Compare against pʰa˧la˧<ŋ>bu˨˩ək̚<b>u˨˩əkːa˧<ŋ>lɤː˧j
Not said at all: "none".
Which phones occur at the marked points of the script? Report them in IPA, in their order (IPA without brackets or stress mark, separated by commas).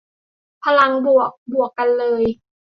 ŋ, b, n